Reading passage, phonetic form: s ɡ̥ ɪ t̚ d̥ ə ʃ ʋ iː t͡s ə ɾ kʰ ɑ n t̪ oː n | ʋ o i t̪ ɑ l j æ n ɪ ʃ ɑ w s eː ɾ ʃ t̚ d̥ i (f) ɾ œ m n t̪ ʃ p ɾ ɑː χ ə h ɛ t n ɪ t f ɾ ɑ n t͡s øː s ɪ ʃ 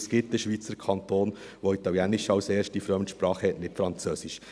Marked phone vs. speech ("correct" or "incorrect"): correct